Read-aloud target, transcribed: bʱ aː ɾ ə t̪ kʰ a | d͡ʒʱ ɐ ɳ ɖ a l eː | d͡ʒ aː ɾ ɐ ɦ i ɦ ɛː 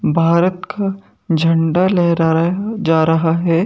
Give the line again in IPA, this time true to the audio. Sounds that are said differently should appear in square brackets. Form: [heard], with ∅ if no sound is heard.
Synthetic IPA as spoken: bʱ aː ɾ ə t̪ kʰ a | d͡ʒʱ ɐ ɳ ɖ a l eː | d͡ʒ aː ɾ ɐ ɦ [a] ɦ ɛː